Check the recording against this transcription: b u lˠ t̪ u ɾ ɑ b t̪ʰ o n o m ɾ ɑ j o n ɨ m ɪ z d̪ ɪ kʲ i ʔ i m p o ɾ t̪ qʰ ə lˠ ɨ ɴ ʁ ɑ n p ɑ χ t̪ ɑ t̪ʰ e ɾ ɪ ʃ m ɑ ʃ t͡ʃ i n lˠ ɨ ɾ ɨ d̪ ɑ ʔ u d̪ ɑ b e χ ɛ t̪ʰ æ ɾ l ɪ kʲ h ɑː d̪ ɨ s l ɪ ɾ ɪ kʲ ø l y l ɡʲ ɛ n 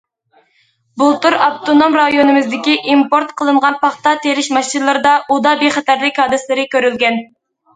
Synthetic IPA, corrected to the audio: b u lˠ t̪ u ɾ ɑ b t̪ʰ o n o m ɾ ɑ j o n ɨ m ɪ z d̪ ɪ kʲ i ʔ i m p o ɾ t̪ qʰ ə lˠ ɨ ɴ ʁ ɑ n p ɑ χ t̪ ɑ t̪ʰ e ɾ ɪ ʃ m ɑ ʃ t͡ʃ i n lˠ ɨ ɾ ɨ d̪ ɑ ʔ u d̪ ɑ b e χ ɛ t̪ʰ æ ɾ l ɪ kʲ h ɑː d̪ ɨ s l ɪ ɾ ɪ kʲ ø ɾ y l ɡʲ ɛ n